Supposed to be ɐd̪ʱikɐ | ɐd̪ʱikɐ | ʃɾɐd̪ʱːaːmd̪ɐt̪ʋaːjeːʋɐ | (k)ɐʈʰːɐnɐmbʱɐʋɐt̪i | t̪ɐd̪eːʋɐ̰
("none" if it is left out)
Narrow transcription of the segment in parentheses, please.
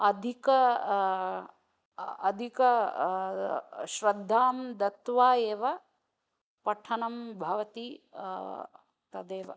p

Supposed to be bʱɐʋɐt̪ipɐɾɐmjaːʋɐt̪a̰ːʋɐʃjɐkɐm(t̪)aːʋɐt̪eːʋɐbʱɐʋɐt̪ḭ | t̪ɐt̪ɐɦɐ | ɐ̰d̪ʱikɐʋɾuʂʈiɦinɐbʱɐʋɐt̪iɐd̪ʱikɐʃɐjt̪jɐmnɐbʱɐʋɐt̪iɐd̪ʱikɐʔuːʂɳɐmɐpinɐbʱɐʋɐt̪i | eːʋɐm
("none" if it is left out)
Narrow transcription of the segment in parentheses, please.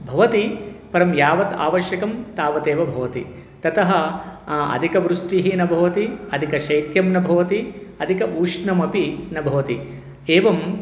t̪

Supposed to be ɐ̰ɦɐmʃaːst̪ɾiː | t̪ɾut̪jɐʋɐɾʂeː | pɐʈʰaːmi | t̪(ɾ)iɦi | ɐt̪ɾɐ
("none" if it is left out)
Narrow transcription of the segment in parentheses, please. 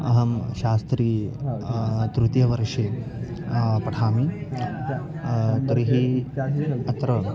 ɾ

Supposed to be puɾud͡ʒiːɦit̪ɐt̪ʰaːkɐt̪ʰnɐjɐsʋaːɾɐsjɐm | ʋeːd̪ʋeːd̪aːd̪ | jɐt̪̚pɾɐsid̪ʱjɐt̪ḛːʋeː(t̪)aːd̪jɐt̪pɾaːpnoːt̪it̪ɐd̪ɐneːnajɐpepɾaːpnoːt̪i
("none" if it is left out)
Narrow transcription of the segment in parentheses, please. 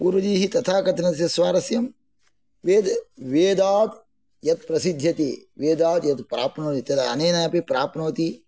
d̪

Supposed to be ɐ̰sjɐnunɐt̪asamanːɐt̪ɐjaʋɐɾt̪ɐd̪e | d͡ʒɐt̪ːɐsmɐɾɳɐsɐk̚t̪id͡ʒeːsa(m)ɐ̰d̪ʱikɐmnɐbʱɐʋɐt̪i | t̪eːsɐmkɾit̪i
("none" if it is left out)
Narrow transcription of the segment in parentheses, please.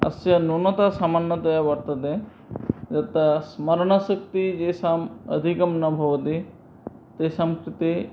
m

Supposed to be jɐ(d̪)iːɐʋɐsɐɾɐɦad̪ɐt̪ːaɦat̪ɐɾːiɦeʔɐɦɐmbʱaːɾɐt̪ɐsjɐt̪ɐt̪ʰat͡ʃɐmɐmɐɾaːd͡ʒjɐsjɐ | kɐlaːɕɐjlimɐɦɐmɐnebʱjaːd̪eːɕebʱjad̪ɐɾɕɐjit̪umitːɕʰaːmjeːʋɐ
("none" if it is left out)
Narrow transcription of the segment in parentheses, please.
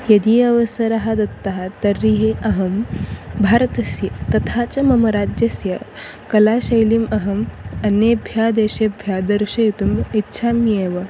d̪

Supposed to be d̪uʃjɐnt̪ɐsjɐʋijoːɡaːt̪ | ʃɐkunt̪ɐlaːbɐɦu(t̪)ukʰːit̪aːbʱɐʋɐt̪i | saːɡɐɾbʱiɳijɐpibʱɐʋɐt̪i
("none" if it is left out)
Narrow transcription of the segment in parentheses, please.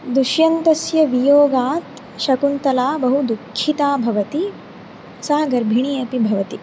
d̪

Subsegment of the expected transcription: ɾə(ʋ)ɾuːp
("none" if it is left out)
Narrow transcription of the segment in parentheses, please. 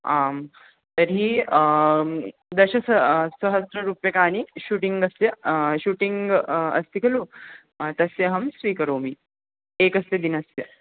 none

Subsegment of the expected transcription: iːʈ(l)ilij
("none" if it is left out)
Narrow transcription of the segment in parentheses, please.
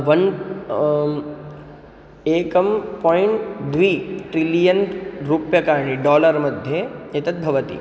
ɾ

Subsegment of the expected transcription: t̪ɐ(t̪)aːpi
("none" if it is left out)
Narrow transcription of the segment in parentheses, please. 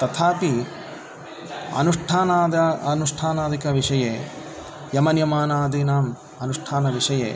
t̪ʰ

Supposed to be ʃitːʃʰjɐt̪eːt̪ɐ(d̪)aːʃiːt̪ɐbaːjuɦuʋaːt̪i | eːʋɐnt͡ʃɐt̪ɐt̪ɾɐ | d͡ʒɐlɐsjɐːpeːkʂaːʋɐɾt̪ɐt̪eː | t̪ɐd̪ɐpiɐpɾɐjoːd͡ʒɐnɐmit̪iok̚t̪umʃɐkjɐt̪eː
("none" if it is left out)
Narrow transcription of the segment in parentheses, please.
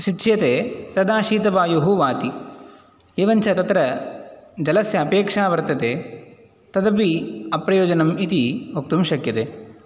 d̪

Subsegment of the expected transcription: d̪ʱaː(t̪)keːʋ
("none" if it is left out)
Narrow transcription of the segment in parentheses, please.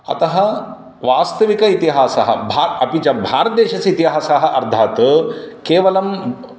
t̪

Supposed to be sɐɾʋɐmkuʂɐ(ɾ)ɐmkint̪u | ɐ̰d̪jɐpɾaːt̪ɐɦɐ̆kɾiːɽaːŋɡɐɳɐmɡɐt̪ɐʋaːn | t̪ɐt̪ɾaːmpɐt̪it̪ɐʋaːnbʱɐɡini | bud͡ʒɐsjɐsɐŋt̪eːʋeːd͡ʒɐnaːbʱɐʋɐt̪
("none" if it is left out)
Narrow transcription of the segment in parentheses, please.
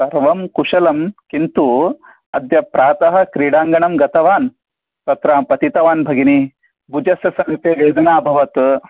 l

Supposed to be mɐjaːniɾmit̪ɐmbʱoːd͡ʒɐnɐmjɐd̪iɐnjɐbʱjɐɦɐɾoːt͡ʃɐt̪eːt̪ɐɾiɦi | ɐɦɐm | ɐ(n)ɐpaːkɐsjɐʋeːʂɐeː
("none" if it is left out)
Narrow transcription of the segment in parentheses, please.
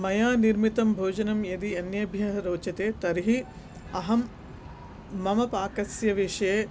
m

